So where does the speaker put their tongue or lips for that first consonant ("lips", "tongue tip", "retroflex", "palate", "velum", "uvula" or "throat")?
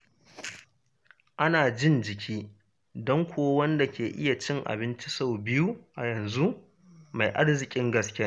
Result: throat